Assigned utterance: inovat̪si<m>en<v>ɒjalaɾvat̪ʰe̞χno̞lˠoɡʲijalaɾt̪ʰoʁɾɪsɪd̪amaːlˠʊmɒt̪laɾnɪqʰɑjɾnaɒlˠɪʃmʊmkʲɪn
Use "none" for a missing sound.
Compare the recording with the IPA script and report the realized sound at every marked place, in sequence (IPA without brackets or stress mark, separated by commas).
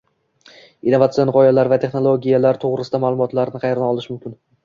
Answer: none, ʁ